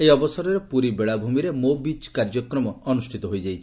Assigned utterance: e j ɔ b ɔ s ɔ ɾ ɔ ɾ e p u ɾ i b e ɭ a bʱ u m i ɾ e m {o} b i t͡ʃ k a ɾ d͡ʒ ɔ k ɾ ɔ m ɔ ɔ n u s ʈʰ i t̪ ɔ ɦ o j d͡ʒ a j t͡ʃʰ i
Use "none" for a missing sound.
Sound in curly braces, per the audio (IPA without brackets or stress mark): o